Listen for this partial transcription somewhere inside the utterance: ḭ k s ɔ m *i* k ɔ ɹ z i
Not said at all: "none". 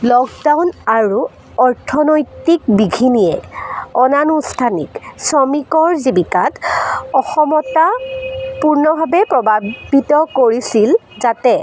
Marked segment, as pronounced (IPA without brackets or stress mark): i